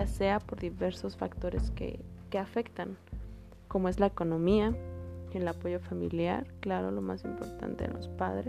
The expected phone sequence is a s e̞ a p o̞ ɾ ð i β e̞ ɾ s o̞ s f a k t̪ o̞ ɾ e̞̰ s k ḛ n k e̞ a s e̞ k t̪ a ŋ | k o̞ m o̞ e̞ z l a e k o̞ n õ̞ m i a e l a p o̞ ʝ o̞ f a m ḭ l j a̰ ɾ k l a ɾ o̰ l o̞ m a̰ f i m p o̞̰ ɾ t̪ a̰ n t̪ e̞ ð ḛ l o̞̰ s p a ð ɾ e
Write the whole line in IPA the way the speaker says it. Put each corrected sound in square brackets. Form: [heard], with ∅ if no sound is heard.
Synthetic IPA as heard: a s e̞ a p o̞ ɾ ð i β e̞ ɾ s o̞ s f a k t̪ o̞ ɾ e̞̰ s k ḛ [∅] k e̞ a [f] e̞ k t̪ a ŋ | k o̞ m o̞ e̞ z l a e k o̞ n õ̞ m i a e l a p o̞ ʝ o̞ f a m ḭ l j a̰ ɾ k l a ɾ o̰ l o̞ m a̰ [s] i m p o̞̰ ɾ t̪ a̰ n t̪ e̞ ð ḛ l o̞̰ s p a ð ɾ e